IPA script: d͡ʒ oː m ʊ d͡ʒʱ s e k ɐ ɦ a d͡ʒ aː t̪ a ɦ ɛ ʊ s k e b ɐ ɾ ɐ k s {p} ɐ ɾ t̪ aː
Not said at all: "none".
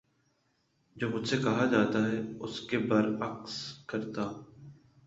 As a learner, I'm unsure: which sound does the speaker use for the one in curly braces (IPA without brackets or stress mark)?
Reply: k